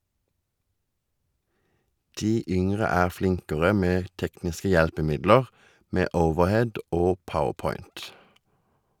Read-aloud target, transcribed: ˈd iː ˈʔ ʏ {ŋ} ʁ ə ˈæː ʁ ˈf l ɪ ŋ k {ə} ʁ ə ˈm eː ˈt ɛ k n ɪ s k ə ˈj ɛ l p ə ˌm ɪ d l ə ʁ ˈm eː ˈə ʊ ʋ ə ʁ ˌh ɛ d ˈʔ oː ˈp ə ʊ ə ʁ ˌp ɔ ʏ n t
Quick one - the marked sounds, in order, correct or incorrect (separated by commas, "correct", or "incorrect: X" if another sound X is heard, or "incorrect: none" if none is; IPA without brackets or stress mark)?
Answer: correct, correct